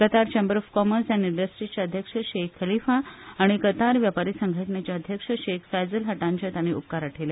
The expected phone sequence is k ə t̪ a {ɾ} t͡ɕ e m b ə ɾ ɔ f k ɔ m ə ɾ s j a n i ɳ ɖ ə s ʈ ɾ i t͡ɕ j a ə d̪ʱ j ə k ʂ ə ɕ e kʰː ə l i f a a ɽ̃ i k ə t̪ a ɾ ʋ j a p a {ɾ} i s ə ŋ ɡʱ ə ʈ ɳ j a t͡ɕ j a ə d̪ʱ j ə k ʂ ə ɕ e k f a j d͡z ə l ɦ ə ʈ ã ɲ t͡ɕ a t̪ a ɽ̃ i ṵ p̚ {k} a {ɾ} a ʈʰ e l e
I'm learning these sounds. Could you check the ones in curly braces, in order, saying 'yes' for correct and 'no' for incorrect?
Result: yes, yes, yes, yes

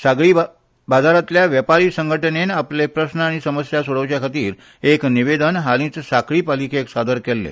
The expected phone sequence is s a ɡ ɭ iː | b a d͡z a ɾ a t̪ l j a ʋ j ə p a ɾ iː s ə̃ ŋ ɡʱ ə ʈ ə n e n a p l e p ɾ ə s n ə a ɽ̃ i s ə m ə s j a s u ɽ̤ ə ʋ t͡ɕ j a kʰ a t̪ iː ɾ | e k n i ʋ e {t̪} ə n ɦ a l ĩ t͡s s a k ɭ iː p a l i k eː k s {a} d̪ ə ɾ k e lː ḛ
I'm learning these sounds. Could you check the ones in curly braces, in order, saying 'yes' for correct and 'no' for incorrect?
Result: no, yes

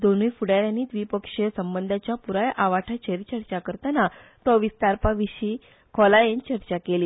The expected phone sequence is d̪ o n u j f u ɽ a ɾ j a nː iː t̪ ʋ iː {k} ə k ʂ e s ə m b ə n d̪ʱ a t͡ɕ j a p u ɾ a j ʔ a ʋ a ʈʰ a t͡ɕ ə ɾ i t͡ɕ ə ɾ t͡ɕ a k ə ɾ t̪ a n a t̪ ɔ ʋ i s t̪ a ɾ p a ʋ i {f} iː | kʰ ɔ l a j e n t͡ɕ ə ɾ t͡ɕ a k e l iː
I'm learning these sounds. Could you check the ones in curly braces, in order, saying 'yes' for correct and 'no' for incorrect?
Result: no, no

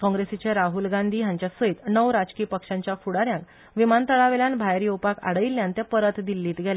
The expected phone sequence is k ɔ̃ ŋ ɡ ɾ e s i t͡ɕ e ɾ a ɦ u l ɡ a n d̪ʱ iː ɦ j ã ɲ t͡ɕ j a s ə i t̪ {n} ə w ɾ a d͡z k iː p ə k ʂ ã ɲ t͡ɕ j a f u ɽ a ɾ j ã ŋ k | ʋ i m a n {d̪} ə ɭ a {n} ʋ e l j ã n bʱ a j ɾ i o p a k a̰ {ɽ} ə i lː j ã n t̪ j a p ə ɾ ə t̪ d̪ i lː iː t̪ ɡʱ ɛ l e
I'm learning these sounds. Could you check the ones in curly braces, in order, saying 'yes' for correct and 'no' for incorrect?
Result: yes, no, no, yes

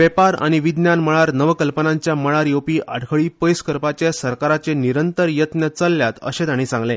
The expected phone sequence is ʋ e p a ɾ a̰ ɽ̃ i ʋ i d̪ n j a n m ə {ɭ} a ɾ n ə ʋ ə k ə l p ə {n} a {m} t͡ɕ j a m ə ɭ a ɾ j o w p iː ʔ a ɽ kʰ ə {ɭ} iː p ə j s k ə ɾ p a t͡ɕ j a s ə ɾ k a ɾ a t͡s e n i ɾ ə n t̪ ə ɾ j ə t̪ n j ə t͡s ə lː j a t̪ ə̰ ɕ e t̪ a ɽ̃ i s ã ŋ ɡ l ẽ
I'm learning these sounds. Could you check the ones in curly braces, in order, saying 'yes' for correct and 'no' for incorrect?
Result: yes, yes, no, yes

